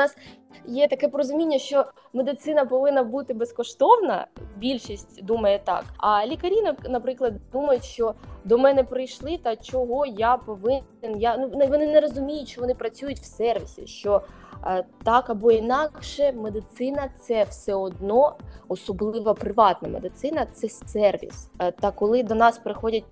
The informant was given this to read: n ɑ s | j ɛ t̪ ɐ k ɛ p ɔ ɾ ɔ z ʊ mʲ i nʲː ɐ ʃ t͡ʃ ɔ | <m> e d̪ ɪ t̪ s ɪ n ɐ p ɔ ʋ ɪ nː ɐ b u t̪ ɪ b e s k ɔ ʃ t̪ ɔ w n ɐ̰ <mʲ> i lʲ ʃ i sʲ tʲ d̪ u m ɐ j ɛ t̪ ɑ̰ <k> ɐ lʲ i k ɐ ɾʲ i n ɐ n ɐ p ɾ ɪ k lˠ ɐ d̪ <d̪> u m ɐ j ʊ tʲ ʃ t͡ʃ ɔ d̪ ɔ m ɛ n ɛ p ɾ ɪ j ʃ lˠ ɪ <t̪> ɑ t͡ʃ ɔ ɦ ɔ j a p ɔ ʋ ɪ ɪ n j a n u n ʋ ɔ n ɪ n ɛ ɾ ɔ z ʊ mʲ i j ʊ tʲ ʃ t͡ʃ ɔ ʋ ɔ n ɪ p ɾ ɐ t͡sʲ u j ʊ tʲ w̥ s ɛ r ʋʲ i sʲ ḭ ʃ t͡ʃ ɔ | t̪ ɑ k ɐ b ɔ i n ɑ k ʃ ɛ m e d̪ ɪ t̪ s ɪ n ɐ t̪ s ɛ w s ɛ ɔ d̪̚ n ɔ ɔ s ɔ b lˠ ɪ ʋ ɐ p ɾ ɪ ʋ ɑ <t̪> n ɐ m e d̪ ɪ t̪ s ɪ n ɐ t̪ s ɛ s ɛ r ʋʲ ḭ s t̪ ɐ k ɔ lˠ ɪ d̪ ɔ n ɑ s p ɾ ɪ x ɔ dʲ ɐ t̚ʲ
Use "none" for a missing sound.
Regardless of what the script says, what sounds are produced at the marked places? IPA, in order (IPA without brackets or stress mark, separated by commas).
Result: m, bʲ, k, d̪, t̪, t̪